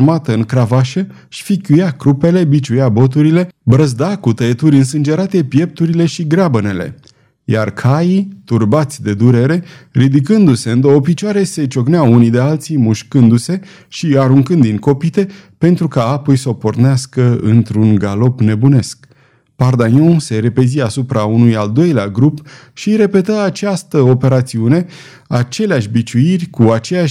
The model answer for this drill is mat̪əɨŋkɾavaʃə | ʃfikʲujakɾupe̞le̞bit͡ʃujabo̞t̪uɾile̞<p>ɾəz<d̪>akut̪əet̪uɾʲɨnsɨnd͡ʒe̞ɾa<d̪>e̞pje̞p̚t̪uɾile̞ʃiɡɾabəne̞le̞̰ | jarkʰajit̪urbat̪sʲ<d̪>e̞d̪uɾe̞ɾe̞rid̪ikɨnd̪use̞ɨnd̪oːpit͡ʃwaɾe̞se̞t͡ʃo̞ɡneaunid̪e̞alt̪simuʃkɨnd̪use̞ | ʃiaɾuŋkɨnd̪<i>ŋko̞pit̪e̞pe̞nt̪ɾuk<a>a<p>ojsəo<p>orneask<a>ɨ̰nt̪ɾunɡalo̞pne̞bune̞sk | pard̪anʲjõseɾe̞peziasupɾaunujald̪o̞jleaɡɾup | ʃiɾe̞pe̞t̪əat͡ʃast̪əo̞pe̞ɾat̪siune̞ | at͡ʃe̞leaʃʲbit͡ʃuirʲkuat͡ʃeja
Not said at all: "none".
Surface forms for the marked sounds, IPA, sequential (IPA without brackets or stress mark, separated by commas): b, d̪, t̪, d̪, i, a, p, p, ə